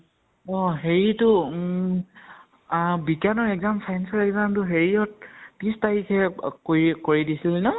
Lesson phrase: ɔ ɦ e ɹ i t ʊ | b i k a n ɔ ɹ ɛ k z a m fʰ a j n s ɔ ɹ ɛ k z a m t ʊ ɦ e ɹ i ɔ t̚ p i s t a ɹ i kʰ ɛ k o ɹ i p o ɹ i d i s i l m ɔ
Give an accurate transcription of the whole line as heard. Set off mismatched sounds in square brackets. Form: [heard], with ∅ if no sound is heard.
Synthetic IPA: ɔ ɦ e ɹ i t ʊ | b i k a n ɔ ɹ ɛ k z a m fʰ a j n s ɔ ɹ ɛ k z a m t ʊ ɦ e ɹ i ɔ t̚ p i s t a ɹ i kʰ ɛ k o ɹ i [k] o ɹ i d i s i l [n] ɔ

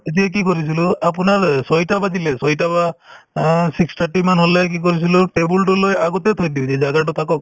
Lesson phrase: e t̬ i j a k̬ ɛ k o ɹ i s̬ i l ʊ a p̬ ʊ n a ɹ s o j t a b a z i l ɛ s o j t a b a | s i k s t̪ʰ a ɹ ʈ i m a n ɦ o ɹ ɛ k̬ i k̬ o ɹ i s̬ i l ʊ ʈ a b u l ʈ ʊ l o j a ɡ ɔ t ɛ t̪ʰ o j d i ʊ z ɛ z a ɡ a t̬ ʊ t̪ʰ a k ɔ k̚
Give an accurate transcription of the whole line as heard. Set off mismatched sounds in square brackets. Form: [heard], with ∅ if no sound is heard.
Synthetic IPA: e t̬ i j a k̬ [i] k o ɹ i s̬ i l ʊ a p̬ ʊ n a ɹ s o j t a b a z i l ɛ s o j t a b a | s i k s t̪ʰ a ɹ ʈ i m a n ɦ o [l] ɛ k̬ i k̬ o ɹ i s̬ i l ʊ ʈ [e] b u l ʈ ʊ l o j a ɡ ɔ t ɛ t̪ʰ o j d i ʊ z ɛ z a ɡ a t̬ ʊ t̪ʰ a k ɔ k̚

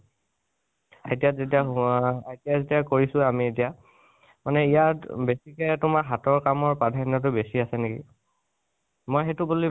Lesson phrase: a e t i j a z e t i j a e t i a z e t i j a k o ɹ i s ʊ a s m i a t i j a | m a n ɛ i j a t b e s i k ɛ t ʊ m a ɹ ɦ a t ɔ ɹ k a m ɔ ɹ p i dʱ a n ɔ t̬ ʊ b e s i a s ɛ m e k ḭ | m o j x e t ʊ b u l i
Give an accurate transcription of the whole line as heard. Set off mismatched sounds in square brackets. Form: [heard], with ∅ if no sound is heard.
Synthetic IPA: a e t i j a z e t i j a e t i a z e t i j a k o ɹ i s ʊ a [∅] m i [e] t i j a | m a n ɛ i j a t b e s i k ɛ t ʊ m a ɹ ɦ a t ɔ ɹ k a m ɔ ɹ p [a] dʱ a n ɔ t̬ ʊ b e s i a s ɛ [n] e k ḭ | m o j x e t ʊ b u l i

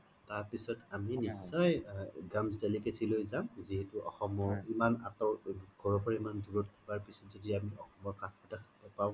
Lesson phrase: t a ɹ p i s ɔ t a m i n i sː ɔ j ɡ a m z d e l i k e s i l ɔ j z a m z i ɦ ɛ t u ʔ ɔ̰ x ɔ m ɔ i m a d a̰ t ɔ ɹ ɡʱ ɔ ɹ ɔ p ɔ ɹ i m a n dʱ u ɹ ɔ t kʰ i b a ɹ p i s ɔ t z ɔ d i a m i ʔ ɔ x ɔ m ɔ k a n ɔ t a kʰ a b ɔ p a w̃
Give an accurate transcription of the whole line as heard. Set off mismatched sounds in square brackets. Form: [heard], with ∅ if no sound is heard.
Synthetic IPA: t a ɹ p i s ɔ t a m i n i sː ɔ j ɡ a m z d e l i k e s i l [o] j z a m z i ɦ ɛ t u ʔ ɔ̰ x ɔ m ɔ i m a [n] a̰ t ɔ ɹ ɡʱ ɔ ɹ ɔ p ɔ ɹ i m a n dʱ u ɹ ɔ t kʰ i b a ɹ p i s ɔ t z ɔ d i a m i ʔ ɔ x ɔ m ɔ k a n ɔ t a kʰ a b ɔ p a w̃

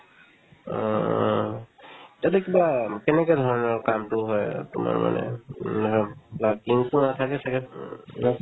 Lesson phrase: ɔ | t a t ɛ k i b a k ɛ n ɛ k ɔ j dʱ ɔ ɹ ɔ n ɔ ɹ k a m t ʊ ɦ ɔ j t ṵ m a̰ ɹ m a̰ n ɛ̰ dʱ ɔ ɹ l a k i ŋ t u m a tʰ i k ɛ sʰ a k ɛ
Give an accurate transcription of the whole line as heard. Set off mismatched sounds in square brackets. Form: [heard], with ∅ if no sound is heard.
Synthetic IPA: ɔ | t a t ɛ k i b a k ɛ n ɛ k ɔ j dʱ ɔ ɹ ɔ n ɔ ɹ k a m t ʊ ɦ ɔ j t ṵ m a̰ ɹ m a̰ n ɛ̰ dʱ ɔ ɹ l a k i ŋ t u [n] a tʰ [a] k ɛ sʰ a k ɛ

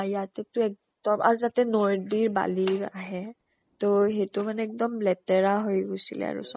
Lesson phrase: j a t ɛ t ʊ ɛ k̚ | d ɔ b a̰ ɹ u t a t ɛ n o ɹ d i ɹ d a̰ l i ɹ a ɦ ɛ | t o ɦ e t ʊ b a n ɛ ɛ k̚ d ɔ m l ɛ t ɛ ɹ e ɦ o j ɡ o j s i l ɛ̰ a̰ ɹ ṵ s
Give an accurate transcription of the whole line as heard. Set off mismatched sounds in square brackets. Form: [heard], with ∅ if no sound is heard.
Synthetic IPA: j a t ɛ t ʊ ɛ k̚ | d ɔ [m] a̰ ɹ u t a t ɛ n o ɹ d i ɹ [b] a̰ l i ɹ a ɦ ɛ | t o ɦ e t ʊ [m] a n ɛ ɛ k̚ d ɔ m l ɛ t ɛ ɹ [a] ɦ o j ɡ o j s i l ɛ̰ a̰ ɹ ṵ s

